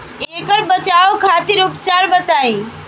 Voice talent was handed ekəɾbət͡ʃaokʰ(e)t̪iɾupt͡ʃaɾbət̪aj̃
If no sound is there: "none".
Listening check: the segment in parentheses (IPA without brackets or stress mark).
a